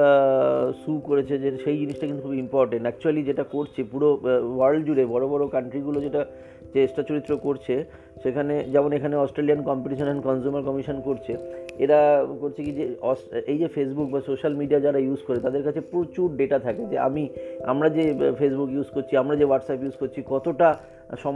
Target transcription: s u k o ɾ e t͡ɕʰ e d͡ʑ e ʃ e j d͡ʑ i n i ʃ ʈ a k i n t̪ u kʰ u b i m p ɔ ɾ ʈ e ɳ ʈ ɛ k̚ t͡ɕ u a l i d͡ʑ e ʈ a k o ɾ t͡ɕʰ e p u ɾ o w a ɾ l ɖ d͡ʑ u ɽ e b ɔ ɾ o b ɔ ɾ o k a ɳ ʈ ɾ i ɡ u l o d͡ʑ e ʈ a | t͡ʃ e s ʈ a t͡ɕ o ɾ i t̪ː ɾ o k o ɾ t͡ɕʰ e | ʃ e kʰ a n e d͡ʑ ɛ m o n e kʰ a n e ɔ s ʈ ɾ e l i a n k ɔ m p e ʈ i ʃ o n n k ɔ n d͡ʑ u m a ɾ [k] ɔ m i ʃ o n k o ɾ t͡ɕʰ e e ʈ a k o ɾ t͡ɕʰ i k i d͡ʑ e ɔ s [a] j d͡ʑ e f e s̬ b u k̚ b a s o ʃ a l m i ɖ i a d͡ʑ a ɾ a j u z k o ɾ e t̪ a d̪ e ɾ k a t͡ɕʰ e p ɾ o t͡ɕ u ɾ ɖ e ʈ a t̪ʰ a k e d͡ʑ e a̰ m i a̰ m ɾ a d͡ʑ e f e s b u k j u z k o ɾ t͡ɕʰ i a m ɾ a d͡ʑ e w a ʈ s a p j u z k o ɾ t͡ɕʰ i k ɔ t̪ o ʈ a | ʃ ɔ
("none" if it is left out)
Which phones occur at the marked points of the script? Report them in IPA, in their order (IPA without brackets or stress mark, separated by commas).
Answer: k, e